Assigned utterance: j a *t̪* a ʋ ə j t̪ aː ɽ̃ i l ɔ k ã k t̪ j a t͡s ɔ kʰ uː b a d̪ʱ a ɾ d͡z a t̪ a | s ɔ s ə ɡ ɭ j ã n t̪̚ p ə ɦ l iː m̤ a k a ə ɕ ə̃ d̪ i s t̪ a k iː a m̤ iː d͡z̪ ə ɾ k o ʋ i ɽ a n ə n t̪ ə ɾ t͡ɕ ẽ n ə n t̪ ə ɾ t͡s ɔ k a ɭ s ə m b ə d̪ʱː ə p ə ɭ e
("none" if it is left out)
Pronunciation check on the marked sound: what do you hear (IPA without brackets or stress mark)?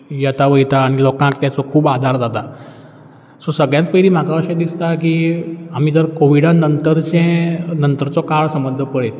t̪